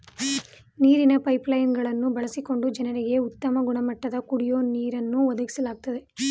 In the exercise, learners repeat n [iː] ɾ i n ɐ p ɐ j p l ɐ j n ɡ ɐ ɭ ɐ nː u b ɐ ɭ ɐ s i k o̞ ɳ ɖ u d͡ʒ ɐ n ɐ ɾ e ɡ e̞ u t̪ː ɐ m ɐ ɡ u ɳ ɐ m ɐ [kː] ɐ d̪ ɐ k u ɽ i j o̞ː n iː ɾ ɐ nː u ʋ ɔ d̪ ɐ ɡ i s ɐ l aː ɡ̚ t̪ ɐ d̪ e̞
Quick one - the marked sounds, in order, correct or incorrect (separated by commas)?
correct, incorrect